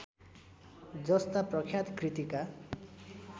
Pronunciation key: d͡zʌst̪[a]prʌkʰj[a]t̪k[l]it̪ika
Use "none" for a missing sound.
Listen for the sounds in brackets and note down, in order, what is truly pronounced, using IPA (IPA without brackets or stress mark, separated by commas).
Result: a, a, r